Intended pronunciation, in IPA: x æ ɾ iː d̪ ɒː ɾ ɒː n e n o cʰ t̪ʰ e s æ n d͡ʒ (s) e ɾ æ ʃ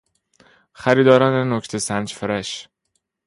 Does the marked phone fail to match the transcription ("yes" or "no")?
yes